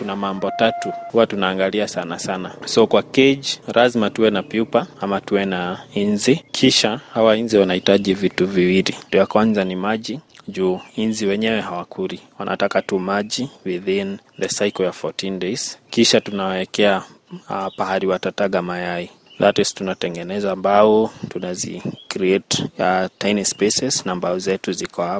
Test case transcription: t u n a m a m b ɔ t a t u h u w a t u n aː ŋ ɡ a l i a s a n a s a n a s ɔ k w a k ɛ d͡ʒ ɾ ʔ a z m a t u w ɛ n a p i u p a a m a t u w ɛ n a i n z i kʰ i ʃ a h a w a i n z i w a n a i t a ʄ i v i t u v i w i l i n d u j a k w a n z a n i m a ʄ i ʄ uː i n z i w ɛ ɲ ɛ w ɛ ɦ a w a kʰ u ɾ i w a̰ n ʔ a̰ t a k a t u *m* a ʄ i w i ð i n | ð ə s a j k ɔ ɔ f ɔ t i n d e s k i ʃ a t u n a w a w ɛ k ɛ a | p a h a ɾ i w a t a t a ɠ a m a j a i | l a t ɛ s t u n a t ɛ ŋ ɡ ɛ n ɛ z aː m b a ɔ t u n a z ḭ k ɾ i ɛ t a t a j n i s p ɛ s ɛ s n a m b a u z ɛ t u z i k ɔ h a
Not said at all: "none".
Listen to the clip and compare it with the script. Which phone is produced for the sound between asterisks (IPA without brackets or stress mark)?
m